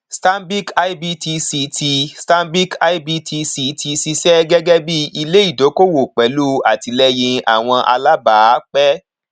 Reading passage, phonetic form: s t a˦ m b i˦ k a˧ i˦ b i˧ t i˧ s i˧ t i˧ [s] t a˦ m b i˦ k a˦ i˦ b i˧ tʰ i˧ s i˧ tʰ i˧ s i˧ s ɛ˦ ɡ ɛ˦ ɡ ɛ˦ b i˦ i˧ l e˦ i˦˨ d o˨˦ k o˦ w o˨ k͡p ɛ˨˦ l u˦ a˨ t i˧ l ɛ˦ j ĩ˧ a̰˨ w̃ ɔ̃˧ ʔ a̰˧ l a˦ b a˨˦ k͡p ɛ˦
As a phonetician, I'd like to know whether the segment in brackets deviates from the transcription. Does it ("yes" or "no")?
no